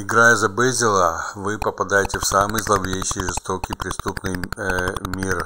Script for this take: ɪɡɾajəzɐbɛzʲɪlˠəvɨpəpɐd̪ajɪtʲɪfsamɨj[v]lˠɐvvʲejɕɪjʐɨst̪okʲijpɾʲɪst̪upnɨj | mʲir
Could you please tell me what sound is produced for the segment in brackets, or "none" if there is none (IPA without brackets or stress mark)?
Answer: z